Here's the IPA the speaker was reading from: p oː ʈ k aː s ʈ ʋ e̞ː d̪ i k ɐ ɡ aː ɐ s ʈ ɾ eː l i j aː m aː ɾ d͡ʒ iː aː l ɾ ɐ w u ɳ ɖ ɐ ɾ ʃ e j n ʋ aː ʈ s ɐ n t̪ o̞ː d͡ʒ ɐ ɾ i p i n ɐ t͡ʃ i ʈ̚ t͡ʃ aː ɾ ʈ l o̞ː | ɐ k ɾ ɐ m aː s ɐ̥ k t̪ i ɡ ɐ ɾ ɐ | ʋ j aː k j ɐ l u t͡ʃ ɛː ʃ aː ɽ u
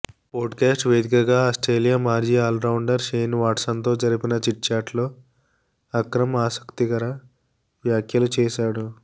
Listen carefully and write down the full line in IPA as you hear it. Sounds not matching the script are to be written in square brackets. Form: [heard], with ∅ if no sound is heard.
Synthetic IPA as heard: p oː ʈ k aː s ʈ ʋ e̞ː d̪ i k ɐ ɡ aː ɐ s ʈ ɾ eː l i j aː m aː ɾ d͡ʒ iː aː l ɾ ɐ w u ɳ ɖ ɐ ɾ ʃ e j n ʋ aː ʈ s ɐ n t̪ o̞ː d͡ʒ ɐ ɾ i p i n ɐ t͡ʃ i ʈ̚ t͡ʃ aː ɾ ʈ l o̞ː | ɐ k ɾ ɐ m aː s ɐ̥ k t̪ i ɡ ɐ ɾ ɐ | ʋ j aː k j ɐ l u t͡ʃ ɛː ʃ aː ɽ u